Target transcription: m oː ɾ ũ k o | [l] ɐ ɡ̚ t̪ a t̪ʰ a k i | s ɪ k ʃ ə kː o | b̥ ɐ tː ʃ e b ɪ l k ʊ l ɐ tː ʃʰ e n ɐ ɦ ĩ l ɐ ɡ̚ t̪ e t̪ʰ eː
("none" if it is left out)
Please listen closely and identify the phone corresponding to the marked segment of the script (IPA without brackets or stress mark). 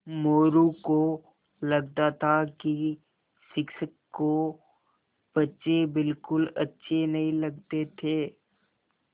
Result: l